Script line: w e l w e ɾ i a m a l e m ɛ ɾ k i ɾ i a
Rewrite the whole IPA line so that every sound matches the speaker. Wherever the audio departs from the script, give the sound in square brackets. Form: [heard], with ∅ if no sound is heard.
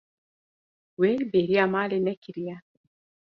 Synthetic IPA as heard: w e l [b] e ɾ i a m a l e [n] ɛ [∅] k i ɾ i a